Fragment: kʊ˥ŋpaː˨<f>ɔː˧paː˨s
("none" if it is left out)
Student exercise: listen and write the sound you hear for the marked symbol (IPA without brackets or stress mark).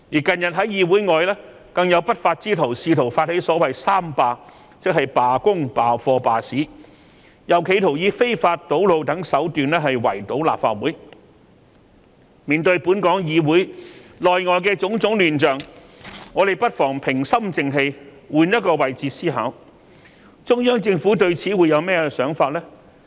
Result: f